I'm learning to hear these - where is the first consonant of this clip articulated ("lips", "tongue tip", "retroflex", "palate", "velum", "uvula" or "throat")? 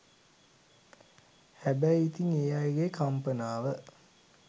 throat